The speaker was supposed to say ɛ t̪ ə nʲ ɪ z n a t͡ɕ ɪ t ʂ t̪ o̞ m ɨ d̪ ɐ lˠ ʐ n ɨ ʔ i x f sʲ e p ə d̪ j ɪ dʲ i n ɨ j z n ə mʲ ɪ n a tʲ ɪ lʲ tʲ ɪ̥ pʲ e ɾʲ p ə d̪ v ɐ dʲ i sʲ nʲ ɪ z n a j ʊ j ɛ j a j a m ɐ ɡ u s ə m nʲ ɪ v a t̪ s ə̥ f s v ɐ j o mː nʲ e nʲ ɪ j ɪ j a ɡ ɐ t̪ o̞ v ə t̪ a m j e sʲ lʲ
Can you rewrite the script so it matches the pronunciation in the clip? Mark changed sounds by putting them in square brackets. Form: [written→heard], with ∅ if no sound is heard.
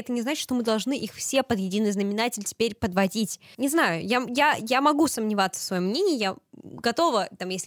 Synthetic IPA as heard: ɛ t̪ ə nʲ ɪ z n a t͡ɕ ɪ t ʂ t̪ o̞ m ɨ d̪ ɐ lˠ ʐ n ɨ ʔ i x f sʲ e p ə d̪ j ɪ dʲ i n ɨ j z n ə mʲ ɪ n a tʲ ɪ lʲ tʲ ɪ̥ pʲ e ɾʲ p ə d̪ v ɐ dʲ i [sʲ→tʲ] nʲ ɪ z n a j ʊ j [ɛ→a] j a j a m ɐ ɡ u s ə m nʲ ɪ v a t̪ s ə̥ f s v ɐ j o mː nʲ e nʲ ɪ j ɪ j a ɡ ɐ t̪ o̞ v ə t̪ a m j e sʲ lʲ